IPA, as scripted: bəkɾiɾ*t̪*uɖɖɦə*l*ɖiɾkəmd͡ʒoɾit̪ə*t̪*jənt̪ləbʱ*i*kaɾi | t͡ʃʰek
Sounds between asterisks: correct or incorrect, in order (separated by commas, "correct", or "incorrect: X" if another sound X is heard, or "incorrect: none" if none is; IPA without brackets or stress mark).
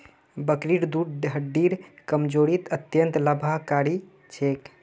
incorrect: d̪, incorrect: none, correct, incorrect: a